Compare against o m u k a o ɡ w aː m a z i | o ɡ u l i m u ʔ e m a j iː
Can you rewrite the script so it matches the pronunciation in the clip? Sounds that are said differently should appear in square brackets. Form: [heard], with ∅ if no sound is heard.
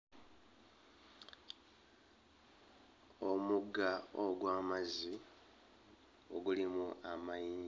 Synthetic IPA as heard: o m u [ɡ] a o ɡ w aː m a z i | o ɡ u l i m u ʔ [a] m a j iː